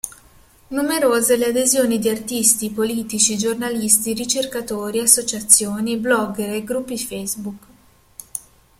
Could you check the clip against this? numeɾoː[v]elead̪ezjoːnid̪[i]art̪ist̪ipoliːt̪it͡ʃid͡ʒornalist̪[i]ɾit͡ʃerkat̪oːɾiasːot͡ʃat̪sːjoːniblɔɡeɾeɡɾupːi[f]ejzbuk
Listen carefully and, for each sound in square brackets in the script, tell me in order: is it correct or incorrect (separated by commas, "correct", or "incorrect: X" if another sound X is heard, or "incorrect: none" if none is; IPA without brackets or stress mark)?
incorrect: z, correct, correct, correct